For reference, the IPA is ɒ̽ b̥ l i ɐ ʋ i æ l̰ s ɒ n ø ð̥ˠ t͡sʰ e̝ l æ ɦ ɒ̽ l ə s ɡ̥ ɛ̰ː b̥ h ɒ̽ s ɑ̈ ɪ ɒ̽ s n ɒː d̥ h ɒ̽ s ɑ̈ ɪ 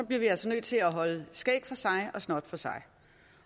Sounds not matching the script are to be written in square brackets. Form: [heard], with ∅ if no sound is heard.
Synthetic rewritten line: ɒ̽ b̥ l i ɐ ʋ i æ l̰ s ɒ n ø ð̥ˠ t͡sʰ e̝ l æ ɦ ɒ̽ l ə s ɡ̥ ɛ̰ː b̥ [f] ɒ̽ s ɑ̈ ɪ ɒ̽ s n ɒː d̥ [f] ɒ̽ s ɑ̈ ɪ